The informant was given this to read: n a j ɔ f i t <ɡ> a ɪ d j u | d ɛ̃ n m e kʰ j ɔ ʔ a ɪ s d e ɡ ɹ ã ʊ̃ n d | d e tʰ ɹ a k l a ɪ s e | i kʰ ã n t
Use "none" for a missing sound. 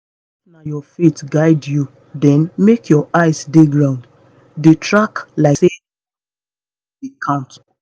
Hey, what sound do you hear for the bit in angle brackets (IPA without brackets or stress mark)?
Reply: ɡ